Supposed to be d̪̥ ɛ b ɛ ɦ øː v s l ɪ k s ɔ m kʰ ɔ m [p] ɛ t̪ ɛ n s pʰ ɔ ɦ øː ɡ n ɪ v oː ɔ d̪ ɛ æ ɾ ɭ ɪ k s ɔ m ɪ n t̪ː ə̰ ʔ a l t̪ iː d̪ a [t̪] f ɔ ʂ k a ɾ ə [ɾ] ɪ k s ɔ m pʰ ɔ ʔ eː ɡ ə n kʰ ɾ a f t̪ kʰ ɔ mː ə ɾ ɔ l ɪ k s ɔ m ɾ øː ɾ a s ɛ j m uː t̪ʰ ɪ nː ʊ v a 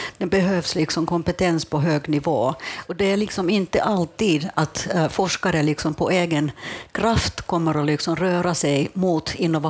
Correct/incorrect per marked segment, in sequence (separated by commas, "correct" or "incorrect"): correct, correct, incorrect